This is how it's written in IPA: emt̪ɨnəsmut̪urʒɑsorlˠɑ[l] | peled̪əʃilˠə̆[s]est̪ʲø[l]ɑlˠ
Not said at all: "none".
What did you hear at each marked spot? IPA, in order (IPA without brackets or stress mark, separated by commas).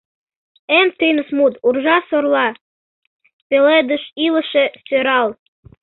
none, ʃ, ɾ